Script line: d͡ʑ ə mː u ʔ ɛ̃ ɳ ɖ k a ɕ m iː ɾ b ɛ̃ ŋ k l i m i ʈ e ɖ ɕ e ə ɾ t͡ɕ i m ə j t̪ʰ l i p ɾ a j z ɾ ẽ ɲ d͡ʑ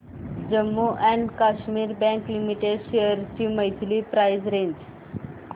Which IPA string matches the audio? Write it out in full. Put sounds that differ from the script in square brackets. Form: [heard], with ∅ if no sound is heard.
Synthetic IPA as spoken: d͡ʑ ə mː u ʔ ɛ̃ ɳ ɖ k a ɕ m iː ɾ b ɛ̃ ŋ k l i m i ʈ e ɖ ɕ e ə ɾ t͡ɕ i m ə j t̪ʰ l i p ɾ a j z ɾ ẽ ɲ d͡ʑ

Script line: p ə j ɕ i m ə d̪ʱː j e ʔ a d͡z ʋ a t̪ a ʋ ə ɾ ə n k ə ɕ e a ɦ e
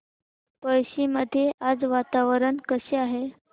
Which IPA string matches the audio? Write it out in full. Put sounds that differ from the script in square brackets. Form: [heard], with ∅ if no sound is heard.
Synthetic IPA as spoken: p ə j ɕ i m ə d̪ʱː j e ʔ a d͡z ʋ a t̪ a ʋ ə ɾ ə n k ə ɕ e a ɦ e

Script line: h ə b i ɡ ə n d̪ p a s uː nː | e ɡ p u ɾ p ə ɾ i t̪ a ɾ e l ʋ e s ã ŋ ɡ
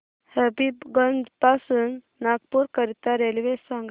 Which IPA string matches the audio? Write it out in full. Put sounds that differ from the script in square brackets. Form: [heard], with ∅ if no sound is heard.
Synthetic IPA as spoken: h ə b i ɡ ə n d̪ p a s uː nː | [a] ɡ p u ɾ [k] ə ɾ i t̪ a ɾ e l ʋ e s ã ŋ ɡ

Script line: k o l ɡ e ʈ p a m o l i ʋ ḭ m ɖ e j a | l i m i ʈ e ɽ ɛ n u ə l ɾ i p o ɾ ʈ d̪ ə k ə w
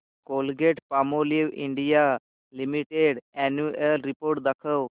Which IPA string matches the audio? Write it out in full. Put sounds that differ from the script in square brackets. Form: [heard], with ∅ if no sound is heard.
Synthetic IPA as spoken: k o l ɡ e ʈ p a m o l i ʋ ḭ [ɳ] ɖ [i] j a | l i m i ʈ e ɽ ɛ n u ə l ɾ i p o ɾ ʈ d̪ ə [kʰ] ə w

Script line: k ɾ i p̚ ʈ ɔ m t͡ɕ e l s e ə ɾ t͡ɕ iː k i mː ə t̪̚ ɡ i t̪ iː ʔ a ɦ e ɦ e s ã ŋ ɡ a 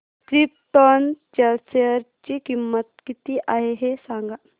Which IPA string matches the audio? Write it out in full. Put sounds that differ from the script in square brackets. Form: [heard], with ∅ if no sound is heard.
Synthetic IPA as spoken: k ɾ i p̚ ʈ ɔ [n] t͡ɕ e l s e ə ɾ t͡ɕ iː k i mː ə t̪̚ [k] i t̪ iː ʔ a ɦ e ɦ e s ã ŋ ɡ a

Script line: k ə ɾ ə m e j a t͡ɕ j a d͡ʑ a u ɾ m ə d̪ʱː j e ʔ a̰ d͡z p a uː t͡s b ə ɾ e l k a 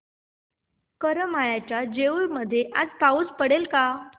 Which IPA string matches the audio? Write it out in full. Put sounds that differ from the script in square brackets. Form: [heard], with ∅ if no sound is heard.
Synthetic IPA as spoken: k ə ɾ ə m [a] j a t͡ɕ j a d͡ʑ [e] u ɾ m ə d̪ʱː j e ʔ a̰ d͡z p a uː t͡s [p] ə [ɽ] e l k a

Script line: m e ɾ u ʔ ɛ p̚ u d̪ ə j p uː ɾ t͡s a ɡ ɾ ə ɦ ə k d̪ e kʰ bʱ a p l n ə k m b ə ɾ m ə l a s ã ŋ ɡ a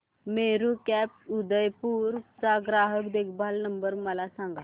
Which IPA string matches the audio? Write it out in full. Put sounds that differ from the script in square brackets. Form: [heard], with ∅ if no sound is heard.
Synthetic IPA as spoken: m e ɾ u [k] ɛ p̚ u d̪ ə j p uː ɾ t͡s a ɡ ɾ [a] ɦ ə k d̪ e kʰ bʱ a [∅] l n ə [∅] m b ə ɾ m ə l a s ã ŋ ɡ a

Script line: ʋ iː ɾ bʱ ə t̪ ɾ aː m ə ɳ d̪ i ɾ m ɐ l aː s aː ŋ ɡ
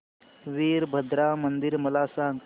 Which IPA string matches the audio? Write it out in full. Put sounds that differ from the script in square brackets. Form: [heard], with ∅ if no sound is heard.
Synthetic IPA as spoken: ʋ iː ɾ bʱ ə [d̪] ɾ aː m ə [n] d̪ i ɾ m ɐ l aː s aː ŋ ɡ

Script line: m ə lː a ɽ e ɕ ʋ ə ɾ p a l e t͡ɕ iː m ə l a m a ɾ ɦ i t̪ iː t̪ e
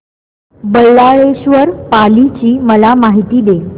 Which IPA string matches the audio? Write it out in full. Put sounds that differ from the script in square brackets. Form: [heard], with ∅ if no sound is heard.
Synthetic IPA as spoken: [b] ə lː a [ɭ] e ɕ ʋ ə ɾ p a l [i] t͡ɕ iː m ə l a m a [∅] ɦ i t̪ iː [d̪] e

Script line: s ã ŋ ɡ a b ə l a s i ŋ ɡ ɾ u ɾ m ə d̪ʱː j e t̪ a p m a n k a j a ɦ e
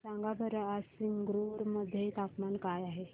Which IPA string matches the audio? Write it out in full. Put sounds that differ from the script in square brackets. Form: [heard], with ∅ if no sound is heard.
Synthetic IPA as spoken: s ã ŋ ɡ a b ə [ɾ] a s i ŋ ɡ ɾ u ɾ m ə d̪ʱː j e t̪ a p m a n k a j a ɦ e

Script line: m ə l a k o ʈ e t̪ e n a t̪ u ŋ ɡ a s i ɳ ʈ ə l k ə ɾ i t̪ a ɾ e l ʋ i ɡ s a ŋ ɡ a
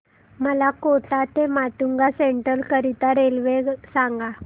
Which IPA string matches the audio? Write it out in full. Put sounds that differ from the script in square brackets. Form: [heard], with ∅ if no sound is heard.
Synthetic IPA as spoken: m ə l a k o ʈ [a] t̪ e [m] a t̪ u ŋ ɡ a s [e] ɳ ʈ ə l k ə ɾ i t̪ a ɾ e l ʋ [e] ɡ s a ŋ ɡ a

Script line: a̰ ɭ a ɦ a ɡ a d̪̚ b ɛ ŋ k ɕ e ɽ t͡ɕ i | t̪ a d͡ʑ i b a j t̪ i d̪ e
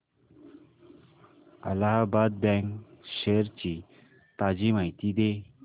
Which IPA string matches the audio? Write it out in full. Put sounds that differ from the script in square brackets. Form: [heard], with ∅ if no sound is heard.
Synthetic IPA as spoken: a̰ [l] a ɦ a [b] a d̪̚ b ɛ ŋ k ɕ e [ɾ] t͡ɕ i | t̪ a d͡ʑ i [m] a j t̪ i d̪ e

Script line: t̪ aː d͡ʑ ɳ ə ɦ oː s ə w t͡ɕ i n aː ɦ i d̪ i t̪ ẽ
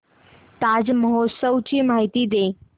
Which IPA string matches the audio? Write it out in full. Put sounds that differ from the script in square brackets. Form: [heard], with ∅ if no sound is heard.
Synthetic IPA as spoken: t̪ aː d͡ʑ [m] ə ɦ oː s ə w t͡ɕ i [m] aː ɦ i [t̪] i [d̪] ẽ

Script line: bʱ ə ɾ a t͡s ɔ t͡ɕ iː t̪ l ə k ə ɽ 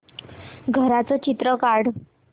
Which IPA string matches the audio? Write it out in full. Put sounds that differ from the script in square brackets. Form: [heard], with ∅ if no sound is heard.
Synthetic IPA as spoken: [ɡʱ] ə ɾ a t͡s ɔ t͡ɕ [i] t̪ [ɾ] ə k [a] ɽ

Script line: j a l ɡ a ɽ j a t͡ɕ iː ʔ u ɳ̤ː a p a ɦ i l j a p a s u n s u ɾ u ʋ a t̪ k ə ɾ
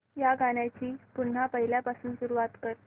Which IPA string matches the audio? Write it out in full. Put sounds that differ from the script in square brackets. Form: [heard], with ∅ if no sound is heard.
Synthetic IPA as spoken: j a [∅] ɡ a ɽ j a t͡ɕ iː [p] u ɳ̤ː a p [ə] ɦ i l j a p a s [uː] n s u ɾ u ʋ a t̪ k ə ɾ

